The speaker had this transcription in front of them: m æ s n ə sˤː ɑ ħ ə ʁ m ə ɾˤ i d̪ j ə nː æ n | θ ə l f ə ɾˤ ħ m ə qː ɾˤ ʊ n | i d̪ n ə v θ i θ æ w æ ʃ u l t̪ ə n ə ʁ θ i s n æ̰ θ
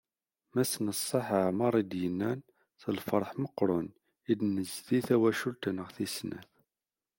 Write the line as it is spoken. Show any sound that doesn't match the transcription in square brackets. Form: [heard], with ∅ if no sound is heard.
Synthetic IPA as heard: m æ s n ə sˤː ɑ ħ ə [ʕ] m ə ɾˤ i d̪ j ə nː æ n | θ ə l f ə ɾˤ ħ m ə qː ɾˤ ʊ n | i d̪ n ə [z] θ i θ æ w æ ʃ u l t̪ ə n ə ʁ θ i s n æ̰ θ